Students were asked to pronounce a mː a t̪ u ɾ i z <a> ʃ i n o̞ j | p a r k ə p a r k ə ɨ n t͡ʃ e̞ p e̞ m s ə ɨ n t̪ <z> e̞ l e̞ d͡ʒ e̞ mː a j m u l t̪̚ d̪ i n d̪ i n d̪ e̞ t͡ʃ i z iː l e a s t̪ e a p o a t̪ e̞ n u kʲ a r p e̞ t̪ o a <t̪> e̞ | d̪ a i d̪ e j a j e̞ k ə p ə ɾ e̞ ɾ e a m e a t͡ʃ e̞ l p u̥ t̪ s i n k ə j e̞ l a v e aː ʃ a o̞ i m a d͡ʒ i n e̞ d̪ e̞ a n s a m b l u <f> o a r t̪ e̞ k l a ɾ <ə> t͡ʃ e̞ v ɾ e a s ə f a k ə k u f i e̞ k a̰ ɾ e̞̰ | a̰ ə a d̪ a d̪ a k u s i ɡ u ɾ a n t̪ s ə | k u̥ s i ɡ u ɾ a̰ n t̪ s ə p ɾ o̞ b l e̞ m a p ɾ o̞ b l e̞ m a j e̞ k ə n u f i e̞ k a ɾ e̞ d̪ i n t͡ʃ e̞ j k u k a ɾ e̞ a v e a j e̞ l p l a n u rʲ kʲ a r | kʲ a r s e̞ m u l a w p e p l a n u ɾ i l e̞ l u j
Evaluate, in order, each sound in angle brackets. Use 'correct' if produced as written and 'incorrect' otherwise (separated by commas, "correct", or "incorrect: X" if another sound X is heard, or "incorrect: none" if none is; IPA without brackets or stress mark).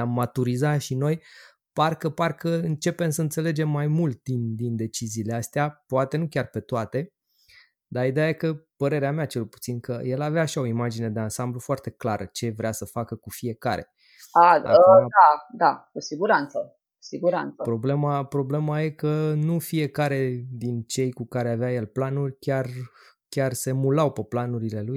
correct, incorrect: s, correct, correct, correct